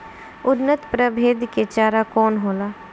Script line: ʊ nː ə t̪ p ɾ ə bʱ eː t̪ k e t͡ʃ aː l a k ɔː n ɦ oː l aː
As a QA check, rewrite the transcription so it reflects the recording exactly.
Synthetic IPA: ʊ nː ə t̪ p ɾ ə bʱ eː d̪ k e t͡ʃ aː ɾ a k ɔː n ɦ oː l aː